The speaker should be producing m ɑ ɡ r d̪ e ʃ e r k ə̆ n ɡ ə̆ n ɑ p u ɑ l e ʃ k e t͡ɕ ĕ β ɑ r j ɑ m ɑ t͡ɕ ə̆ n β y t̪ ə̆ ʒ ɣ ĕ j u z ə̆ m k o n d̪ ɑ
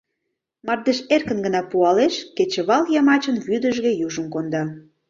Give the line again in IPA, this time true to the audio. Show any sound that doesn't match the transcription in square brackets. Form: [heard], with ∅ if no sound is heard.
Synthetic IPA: m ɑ [∅] r d̪ e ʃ e r k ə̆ n ɡ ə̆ n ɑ p u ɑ l e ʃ k e t͡ɕ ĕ β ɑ [l] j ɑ m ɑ t͡ɕ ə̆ n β y [d̪] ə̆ ʒ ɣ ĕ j u [ʒ] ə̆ m k o n d̪ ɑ